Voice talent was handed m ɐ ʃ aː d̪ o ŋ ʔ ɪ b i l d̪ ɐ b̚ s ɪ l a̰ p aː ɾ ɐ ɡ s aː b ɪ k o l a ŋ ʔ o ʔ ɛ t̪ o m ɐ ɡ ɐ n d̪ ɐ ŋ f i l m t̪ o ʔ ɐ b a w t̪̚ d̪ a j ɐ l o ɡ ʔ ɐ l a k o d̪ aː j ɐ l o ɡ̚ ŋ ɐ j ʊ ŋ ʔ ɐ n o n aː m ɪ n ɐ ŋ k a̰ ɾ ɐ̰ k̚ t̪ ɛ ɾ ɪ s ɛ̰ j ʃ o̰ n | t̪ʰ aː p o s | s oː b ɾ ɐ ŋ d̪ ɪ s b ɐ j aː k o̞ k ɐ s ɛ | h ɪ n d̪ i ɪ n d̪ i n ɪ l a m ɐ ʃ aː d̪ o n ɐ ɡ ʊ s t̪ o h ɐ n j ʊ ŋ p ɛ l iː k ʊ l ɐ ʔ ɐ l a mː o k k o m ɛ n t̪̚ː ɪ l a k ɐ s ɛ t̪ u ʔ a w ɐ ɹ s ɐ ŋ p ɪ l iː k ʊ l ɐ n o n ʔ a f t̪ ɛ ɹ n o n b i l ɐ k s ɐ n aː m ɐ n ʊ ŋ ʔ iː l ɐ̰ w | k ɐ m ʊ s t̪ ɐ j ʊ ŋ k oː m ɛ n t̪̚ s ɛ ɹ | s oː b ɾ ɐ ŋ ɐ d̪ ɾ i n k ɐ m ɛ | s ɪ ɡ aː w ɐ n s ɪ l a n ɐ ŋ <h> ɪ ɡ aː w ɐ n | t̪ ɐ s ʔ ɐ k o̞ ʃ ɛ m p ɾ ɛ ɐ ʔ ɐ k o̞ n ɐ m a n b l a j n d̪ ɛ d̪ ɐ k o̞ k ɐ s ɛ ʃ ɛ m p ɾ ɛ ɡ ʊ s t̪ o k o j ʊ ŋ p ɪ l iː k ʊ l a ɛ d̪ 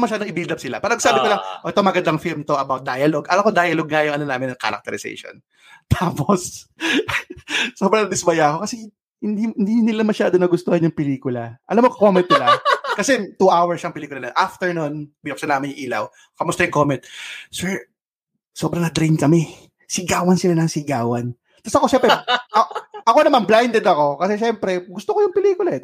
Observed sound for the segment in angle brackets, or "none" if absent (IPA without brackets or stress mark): s